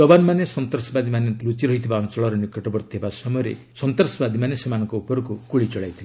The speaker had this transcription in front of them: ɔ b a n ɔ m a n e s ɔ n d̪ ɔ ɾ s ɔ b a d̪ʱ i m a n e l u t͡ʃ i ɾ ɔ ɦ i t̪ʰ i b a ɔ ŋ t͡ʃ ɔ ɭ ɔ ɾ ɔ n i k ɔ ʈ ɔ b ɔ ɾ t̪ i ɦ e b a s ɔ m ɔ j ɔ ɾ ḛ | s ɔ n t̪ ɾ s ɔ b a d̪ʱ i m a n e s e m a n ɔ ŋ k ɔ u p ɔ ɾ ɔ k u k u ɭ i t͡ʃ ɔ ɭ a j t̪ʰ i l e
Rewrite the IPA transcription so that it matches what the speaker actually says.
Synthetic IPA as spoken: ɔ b a n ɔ m a n e s ɔ n t̪ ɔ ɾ s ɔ b a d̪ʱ i m a n e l u t͡ʃ i ɾ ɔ ɦ i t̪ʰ i b a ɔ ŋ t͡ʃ ɔ ɭ ɔ ɾ ɔ n i k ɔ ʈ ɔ b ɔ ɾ t̪ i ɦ e b a s ɔ m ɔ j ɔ ɾ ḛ | s ɔ n t̪ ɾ s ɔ b a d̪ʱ i m a n e s e m a n ɔ ŋ k ɔ u p ɔ ɾ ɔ k u k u ɭ i t͡ʃ ɔ ɭ a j t̪ʰ i l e